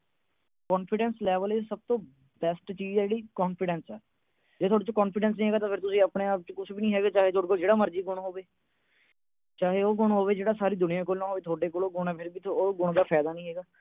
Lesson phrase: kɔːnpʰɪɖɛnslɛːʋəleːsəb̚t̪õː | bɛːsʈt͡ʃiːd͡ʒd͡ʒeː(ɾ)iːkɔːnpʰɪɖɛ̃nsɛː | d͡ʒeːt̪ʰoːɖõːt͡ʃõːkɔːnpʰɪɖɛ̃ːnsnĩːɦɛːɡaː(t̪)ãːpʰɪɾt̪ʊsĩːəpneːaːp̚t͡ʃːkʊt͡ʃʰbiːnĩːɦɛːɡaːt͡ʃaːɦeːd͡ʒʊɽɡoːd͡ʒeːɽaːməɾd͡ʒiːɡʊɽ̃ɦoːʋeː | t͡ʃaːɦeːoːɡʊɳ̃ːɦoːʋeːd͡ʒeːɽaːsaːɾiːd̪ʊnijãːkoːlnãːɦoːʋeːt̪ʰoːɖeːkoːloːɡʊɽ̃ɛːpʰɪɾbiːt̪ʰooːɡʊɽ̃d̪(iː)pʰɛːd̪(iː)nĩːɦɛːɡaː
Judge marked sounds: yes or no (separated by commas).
no, yes, no, no